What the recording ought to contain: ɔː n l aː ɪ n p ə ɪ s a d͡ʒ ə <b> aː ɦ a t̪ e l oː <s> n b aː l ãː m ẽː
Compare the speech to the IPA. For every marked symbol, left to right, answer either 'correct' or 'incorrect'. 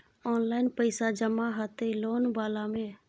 incorrect, incorrect

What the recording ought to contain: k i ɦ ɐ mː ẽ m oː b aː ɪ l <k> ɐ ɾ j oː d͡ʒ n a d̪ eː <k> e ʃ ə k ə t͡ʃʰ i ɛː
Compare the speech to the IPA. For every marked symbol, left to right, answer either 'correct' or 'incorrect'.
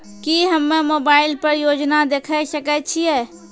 incorrect, incorrect

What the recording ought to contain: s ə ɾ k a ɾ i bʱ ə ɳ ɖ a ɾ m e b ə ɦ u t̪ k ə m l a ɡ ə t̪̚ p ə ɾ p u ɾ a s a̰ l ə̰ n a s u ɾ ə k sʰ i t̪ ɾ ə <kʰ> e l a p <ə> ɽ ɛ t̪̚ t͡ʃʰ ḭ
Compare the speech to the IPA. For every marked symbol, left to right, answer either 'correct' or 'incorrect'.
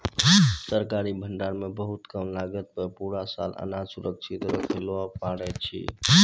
correct, incorrect

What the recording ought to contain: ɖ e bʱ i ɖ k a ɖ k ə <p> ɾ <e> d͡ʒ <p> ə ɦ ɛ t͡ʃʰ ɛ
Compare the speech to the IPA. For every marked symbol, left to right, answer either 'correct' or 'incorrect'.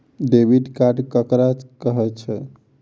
incorrect, incorrect, incorrect

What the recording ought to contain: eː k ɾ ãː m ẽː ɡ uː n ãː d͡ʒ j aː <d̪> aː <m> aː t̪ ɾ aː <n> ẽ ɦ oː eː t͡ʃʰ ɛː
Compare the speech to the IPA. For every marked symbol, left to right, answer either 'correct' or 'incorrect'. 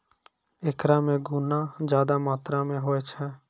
correct, correct, incorrect

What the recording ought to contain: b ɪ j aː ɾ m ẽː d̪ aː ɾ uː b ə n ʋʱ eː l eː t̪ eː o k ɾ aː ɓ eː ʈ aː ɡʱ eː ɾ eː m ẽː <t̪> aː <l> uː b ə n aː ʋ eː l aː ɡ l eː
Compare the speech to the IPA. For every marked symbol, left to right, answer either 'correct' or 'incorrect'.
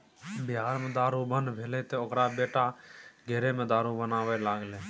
incorrect, incorrect

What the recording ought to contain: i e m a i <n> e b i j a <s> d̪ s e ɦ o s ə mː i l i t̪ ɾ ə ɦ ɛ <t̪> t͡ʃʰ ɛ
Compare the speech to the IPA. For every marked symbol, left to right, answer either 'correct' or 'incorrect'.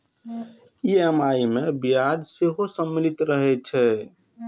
incorrect, incorrect, incorrect

